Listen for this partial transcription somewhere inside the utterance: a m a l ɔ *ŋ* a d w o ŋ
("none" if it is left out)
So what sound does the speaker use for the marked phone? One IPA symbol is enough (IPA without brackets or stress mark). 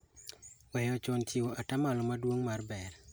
m